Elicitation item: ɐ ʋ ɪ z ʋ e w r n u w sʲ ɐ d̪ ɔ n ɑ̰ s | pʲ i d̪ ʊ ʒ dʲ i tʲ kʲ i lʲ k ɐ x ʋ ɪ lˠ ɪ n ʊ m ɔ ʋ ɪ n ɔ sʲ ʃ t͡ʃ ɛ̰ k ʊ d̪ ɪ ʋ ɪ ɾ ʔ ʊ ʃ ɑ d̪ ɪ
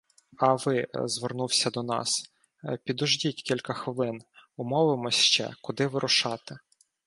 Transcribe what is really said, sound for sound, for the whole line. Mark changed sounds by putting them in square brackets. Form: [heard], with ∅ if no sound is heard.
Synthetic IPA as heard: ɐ ʋ ɪ z ʋ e [∅] r n u w sʲ ɐ d̪ ɔ n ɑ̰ s | pʲ i d̪ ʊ ʒ dʲ i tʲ kʲ i lʲ k ɐ x ʋ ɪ lˠ ɪ n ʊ m ɔ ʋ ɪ [m] ɔ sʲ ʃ t͡ʃ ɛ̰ k ʊ d̪ ɪ ʋ ɪ ɾ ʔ ʊ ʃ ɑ [t̪] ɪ